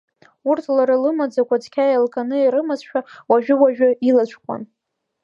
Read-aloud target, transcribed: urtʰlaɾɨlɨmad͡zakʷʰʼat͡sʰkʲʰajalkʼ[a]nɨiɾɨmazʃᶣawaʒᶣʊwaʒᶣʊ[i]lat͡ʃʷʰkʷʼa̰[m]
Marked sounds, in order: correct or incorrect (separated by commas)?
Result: correct, correct, incorrect